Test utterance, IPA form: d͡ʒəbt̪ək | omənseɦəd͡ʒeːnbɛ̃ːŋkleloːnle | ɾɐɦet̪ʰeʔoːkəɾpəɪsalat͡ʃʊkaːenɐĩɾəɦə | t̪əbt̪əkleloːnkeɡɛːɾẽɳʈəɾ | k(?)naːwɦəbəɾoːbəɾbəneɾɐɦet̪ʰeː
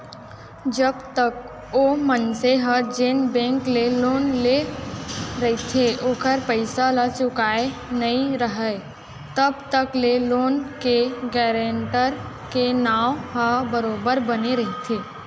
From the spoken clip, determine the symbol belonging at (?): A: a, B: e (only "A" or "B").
B